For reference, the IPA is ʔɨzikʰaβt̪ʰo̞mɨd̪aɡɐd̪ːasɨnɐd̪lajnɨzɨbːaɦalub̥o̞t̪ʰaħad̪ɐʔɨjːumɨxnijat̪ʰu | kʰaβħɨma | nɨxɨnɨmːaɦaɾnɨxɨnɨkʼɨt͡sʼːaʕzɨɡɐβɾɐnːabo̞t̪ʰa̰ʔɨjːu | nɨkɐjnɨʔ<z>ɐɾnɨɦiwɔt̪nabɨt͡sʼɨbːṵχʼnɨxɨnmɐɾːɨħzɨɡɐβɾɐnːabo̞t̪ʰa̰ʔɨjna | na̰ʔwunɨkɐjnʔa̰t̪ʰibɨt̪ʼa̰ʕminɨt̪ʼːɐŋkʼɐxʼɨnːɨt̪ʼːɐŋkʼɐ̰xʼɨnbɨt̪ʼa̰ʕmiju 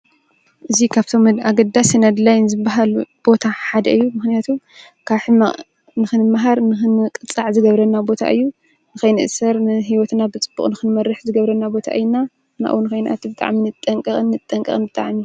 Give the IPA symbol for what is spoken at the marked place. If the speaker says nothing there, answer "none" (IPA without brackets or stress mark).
s